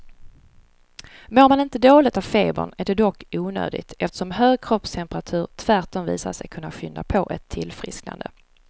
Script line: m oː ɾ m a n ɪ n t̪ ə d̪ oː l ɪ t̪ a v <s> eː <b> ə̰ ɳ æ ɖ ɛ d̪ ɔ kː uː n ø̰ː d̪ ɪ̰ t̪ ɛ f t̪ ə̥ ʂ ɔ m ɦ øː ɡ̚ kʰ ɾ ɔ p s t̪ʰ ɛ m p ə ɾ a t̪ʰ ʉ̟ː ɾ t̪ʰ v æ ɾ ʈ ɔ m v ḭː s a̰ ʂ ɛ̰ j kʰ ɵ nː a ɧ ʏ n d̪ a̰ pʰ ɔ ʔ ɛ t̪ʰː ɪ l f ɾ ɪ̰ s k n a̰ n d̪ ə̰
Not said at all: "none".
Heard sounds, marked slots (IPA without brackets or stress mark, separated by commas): f, b